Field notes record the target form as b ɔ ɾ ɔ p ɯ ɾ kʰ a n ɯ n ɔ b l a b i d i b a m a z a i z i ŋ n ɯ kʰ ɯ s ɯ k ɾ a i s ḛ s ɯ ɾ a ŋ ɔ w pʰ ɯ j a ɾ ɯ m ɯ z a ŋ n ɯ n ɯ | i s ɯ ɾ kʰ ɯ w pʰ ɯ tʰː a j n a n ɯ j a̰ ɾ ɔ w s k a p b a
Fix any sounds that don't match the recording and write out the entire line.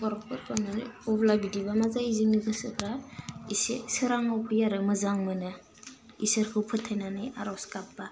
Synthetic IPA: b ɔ ɾ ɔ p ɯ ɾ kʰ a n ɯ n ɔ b l a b i d i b a m a z a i z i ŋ n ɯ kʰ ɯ s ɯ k ɾ a i s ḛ s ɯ ɾ a ŋ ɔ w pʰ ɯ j a ɾ ɯ m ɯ z a ŋ m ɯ n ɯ | i s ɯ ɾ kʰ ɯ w pʰ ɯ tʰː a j n a n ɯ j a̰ ɾ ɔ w s k a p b a